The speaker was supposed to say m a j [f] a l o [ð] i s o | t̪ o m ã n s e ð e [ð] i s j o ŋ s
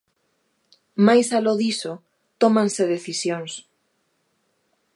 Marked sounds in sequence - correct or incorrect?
incorrect: s, correct, incorrect: θ

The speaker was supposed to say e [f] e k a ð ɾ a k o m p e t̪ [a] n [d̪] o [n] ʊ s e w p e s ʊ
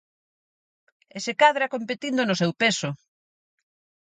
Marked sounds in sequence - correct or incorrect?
incorrect: s, incorrect: i, correct, correct

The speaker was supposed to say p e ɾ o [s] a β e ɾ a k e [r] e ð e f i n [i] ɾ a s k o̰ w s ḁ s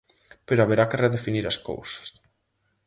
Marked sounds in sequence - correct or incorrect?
incorrect: none, correct, correct

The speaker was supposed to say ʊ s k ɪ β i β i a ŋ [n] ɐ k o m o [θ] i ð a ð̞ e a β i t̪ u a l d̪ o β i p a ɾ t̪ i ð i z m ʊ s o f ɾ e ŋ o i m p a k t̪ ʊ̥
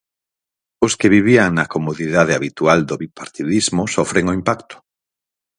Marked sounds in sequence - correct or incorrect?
correct, incorrect: ð

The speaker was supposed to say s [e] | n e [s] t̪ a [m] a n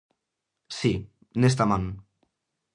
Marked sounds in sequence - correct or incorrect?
incorrect: i, correct, correct

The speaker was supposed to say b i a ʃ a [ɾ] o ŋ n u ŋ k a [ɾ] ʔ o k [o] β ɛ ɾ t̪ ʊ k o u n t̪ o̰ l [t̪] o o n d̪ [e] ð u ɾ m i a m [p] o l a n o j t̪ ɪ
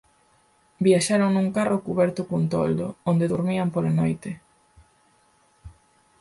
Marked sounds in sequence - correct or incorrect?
correct, incorrect: r, incorrect: u, incorrect: d̪, correct, correct

